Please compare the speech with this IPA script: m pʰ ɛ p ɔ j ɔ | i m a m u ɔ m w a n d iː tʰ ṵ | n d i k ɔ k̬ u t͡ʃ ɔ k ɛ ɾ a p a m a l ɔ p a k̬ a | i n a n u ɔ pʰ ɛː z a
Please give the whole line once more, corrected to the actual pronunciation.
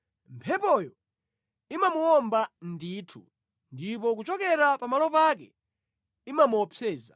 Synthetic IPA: m pʰ ɛ p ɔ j ɔ | i m a m u ɔ m b a n d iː tʰ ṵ | n d i p ɔ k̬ u t͡ʃ ɔ k ɛ ɾ a p a m a l ɔ p a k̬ ɛ | i m a m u ɔ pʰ ɛː z a